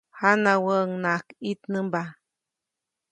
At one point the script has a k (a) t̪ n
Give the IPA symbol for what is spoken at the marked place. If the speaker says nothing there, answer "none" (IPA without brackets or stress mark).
i